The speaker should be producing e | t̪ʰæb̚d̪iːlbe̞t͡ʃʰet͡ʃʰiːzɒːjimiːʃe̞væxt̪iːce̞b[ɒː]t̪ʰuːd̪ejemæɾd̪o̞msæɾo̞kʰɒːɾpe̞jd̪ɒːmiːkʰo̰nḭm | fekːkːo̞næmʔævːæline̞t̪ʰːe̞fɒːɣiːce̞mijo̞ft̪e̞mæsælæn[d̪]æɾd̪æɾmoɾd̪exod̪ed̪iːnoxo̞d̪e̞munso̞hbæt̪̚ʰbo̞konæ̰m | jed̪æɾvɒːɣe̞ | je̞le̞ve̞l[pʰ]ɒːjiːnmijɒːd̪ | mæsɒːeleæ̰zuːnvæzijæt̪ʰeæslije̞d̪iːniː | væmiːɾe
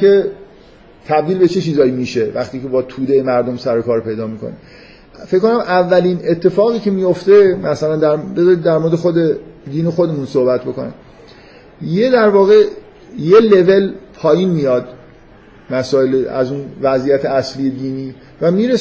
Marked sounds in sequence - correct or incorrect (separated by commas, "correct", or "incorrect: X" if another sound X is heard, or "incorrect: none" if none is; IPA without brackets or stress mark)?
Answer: correct, correct, correct